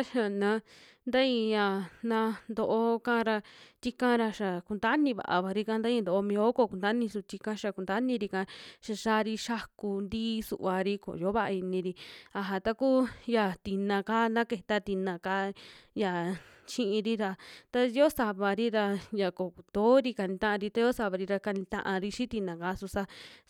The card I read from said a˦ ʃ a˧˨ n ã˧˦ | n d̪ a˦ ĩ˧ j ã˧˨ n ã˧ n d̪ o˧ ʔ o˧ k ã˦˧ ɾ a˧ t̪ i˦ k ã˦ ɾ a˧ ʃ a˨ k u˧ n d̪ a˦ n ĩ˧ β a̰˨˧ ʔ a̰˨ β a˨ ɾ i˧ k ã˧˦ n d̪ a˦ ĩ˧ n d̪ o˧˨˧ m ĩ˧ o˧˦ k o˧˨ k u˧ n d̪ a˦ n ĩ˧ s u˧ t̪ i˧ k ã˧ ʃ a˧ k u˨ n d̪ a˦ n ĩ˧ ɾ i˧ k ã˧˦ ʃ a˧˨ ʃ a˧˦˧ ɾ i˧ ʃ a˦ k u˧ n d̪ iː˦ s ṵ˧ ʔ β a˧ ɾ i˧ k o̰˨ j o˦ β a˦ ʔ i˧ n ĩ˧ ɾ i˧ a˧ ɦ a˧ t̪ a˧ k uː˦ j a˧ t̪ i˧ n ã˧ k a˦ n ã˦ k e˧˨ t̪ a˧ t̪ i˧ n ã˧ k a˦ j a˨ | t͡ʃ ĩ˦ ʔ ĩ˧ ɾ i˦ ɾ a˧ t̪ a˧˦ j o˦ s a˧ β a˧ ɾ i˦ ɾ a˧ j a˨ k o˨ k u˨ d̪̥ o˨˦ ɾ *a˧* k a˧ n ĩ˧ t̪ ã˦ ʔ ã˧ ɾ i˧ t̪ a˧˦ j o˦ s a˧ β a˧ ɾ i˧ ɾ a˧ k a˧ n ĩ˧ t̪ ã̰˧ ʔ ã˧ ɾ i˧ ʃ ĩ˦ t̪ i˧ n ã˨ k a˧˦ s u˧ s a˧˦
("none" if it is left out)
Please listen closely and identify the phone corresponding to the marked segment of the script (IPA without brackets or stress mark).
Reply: i˧